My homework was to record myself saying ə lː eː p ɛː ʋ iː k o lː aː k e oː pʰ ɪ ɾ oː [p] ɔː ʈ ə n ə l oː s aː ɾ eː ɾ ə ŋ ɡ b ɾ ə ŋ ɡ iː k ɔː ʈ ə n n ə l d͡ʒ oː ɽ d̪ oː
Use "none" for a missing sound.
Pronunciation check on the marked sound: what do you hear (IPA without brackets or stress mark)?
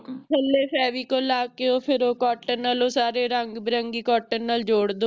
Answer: k